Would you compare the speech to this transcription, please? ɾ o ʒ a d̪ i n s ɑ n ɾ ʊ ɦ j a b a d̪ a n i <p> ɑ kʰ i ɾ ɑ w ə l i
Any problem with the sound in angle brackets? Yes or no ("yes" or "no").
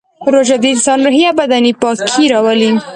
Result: no